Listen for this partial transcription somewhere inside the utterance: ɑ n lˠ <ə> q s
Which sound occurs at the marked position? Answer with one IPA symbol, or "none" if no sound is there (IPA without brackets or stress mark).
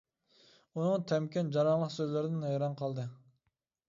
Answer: ə